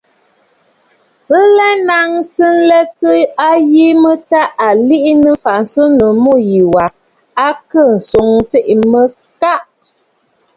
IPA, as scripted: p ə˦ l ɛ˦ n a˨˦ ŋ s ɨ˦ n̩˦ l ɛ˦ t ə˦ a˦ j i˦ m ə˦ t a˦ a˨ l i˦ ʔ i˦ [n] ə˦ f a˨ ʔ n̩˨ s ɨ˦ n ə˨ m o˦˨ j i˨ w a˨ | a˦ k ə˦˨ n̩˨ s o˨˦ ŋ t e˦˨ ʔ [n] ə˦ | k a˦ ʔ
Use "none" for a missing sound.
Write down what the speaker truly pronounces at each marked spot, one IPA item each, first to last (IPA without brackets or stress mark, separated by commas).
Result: n, m